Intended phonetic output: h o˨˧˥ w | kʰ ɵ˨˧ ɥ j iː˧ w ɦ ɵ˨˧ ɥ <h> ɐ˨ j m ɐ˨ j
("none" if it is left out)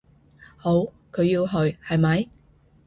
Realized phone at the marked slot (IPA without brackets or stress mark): h